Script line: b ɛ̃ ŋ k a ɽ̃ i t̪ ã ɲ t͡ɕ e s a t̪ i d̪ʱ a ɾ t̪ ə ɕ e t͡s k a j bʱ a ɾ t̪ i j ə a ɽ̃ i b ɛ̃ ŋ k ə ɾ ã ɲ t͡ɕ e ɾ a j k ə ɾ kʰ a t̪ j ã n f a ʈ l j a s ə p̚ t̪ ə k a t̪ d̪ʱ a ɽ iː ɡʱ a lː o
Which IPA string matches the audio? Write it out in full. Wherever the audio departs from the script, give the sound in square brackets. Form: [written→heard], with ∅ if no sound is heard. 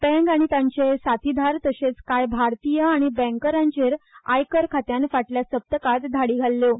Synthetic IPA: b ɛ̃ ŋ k a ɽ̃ i t̪ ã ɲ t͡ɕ e s a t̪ i d̪ʱ a ɾ t̪ ə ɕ e t͡s k a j bʱ a ɾ t̪ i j ə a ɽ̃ i b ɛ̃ ŋ k ə ɾ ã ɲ t͡ɕ e ɾ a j k ə ɾ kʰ a t̪ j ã n f a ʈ l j a s ə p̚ t̪ ə k a t̪ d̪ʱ a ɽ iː ɡʱ a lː o